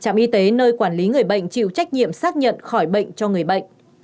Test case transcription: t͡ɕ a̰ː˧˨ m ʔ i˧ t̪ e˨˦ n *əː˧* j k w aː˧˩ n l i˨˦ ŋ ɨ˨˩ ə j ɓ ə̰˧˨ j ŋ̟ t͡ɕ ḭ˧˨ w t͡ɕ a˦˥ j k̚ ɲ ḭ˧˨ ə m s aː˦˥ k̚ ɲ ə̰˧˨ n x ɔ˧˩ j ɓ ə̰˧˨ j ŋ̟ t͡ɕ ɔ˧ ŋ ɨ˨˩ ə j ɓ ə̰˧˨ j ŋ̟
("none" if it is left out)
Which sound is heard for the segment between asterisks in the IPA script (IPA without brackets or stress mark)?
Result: əː˧